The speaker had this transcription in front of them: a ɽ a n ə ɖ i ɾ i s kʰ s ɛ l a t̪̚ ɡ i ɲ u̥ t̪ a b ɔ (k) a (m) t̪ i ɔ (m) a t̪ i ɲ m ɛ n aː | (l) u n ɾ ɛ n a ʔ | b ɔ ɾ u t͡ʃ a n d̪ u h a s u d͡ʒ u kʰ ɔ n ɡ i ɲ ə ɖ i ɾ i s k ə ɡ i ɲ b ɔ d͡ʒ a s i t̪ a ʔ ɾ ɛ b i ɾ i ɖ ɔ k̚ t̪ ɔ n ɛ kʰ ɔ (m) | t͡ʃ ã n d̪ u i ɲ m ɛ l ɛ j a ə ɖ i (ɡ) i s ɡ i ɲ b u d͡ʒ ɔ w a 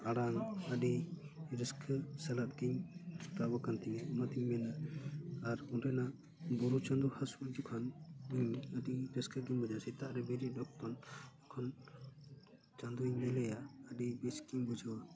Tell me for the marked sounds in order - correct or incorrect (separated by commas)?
correct, incorrect, correct, incorrect, incorrect, incorrect